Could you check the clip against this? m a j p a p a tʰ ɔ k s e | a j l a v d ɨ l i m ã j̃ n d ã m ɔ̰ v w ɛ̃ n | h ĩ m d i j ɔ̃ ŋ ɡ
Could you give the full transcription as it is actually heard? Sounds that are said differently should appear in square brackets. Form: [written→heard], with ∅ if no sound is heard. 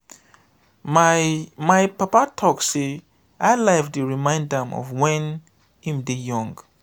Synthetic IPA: m a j p a p a tʰ ɔ k s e | a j l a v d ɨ [l→ɹ] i m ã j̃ n d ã m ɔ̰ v w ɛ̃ n | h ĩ m d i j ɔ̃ ŋ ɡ